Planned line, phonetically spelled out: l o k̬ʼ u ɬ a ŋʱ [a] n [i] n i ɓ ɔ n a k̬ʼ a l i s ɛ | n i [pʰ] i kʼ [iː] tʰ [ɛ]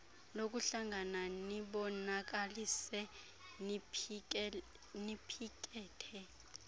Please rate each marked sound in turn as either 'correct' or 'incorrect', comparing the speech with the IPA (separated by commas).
correct, incorrect, correct, incorrect, correct